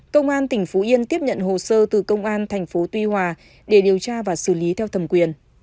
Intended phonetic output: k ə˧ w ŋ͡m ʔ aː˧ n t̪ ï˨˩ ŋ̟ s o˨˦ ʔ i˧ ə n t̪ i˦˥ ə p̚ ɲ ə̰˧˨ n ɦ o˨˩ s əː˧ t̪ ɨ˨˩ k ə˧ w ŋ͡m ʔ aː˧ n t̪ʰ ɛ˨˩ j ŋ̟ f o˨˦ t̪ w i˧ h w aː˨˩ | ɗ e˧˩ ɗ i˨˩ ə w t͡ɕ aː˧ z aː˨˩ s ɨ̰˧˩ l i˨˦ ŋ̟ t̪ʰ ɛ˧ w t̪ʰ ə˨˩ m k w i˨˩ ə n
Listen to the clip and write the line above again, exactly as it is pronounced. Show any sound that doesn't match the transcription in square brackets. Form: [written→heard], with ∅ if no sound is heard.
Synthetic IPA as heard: k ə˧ w ŋ͡m ʔ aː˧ n t̪ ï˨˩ ŋ̟ [s→f] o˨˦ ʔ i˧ ə n t̪ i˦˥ ə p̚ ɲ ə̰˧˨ n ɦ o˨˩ s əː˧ t̪ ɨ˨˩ k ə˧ w ŋ͡m ʔ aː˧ n t̪ʰ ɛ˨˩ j ŋ̟ f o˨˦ t̪ w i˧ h w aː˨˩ | ɗ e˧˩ ɗ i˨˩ ə w t͡ɕ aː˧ [z→v] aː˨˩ s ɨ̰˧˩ l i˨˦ [ŋ̟→∅] t̪ʰ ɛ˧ w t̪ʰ ə˨˩ m k w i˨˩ ə n